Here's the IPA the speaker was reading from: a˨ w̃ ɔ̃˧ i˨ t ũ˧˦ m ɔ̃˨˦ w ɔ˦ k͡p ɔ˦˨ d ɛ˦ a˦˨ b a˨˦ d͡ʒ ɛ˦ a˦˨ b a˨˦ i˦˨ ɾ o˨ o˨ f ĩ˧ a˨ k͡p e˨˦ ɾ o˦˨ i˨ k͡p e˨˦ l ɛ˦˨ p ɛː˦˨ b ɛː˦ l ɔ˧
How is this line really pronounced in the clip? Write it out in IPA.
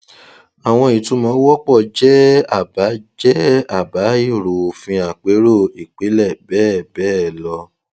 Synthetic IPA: a˨ w̃ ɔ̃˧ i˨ t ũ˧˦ m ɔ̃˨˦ w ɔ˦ k͡p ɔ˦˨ d͡ʒ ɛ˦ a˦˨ b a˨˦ d͡ʒ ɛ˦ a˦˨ b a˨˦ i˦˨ ɾ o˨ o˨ f ĩ˧ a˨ k͡p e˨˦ ɾ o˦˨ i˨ k͡p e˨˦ l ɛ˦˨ b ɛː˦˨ b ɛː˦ l ɔ˧